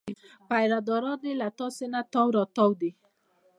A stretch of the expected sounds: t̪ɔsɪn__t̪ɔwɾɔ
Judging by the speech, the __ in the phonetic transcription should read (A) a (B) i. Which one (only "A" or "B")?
A